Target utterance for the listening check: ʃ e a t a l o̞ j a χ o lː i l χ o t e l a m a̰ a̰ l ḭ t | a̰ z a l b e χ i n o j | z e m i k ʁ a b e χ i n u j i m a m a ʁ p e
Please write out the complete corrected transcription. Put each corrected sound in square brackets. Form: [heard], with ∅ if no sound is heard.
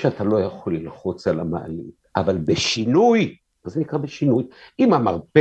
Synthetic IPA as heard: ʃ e a t a l o̞ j a χ o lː i l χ o [t͡s] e l a m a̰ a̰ l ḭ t | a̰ [v] a l b e [ʃ] i n [u] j | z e [n] i k ʁ a b e [ʃ] i n u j i m a m a ʁ p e